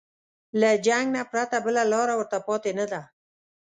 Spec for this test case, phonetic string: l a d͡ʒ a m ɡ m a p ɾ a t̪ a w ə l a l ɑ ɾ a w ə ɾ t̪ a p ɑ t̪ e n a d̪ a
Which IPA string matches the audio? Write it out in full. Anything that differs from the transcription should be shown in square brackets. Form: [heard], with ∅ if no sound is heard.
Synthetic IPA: l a d͡ʒ a [ŋ] ɡ [n] a p ɾ a t̪ a [b] ə l a l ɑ ɾ a w ə ɾ t̪ a p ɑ t̪ e n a d̪ a